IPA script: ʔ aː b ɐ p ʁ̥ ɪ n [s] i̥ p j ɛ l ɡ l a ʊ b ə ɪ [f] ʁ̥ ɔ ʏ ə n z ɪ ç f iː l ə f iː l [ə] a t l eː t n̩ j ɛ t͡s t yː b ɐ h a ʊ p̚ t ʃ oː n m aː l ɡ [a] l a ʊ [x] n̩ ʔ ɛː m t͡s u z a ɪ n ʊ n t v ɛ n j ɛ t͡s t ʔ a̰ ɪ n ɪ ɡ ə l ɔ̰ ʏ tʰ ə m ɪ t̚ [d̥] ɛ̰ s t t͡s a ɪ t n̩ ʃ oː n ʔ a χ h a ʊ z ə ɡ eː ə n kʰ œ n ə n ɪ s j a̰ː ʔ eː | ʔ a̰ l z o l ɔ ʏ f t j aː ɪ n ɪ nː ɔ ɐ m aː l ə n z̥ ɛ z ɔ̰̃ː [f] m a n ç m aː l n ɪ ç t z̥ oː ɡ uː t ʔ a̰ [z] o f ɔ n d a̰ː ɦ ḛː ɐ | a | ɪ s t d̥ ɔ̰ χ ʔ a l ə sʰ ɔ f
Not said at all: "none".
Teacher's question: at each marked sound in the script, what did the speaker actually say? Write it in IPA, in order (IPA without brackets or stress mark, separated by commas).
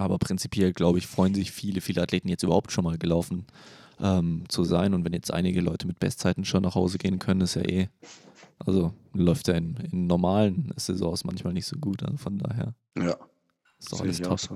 t͡s, f, ə, ə, f, b̥, s, z